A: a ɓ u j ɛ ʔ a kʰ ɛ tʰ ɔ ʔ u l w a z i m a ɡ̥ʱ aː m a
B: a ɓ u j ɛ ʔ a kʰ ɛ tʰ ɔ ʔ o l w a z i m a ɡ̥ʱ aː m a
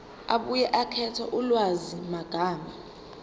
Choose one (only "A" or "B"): A